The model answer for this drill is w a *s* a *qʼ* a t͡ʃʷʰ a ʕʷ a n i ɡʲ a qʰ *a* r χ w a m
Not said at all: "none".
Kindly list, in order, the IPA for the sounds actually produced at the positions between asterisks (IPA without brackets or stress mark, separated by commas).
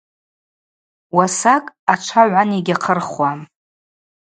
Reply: s, kʼ, ə